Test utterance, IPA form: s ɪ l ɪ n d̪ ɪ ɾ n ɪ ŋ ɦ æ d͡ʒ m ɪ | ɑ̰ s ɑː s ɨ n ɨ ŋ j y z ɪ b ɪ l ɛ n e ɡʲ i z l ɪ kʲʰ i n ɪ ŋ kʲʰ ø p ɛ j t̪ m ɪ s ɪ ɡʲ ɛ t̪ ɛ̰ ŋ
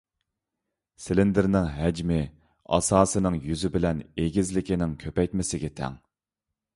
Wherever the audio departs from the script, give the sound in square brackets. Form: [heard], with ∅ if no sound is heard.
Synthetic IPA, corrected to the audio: s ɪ l ɪ n d̪ ɪ ɾ n ɪ ŋ ɦ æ d͡ʒ m ɪ | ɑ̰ s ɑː s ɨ n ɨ ŋ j y z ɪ b ɪ l ɛ n e ɡʲ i z l ɪ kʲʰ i n ɪ ŋ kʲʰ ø p ɛ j t̪ m ɪ s ɪ ɡʲ ɛ [t̪ʰ] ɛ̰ ŋ